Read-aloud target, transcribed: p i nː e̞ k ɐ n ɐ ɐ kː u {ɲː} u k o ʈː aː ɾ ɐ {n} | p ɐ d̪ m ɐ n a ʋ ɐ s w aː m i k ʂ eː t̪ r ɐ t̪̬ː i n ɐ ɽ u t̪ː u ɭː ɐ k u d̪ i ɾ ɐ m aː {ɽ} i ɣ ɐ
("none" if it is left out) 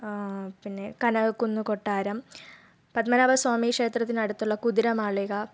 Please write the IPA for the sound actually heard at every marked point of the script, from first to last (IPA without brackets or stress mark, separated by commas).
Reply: nː, m, ɭ